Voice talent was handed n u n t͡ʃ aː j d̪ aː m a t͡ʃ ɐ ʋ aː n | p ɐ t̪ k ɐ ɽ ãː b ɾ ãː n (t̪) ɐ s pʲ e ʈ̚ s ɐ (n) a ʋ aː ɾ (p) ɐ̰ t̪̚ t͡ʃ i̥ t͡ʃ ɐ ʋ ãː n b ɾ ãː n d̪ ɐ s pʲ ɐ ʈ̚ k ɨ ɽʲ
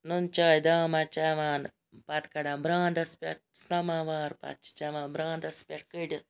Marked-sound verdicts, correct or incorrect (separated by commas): incorrect, incorrect, correct